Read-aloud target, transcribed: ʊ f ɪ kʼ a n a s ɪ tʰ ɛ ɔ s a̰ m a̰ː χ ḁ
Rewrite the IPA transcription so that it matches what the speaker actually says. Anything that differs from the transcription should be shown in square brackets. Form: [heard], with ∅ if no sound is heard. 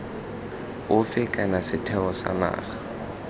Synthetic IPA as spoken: ʊ f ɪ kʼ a n a s ɪ tʰ ɛ ɔ s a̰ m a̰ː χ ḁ